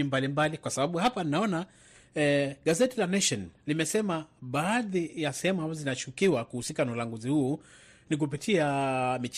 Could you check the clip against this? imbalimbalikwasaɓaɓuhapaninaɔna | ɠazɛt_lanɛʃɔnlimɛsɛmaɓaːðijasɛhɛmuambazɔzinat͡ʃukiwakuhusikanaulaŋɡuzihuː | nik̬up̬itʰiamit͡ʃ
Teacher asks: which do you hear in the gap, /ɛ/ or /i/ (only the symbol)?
i